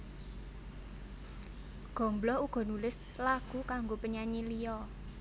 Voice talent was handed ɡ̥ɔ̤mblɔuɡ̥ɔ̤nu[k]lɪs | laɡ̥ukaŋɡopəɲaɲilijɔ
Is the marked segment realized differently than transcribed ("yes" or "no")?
yes